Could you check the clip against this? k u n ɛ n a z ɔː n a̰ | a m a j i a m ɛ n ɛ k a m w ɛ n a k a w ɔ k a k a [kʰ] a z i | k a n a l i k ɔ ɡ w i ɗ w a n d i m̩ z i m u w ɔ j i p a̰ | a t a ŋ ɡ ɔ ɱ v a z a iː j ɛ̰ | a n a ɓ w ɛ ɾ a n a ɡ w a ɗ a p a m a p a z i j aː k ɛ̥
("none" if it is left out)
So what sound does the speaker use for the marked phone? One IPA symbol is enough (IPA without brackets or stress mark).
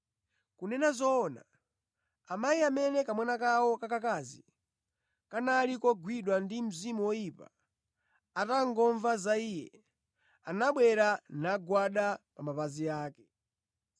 k